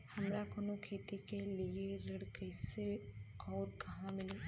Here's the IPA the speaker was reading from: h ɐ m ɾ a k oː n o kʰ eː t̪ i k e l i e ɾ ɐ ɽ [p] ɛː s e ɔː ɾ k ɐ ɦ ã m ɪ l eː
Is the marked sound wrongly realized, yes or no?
yes